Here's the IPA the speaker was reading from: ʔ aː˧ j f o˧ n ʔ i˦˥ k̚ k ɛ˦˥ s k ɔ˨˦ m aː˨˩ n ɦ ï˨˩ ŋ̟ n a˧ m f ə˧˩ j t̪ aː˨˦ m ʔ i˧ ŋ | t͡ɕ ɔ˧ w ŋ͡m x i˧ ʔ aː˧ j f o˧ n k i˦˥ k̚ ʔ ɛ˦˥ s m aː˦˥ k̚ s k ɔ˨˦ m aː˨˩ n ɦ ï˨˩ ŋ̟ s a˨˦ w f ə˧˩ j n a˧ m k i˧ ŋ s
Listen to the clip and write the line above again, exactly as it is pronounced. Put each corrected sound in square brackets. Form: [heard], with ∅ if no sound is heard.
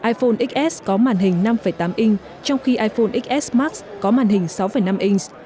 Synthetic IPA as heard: ʔ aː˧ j f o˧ n ʔ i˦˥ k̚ [ʔ] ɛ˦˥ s k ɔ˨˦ m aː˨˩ n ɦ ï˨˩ ŋ̟ n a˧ m f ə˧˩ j t̪ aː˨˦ m ʔ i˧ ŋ | t͡ɕ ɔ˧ w ŋ͡m x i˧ ʔ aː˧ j f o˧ n [ʔ] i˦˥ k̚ ʔ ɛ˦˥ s m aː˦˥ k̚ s k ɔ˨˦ m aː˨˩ n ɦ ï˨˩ ŋ̟ s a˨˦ w f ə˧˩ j n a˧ m [ʔ] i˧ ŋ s